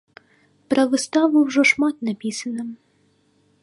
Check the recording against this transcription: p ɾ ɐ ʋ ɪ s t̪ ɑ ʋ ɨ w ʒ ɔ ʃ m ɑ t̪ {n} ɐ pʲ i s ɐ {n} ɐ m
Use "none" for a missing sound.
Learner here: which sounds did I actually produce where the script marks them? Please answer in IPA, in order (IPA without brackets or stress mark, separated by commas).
n, n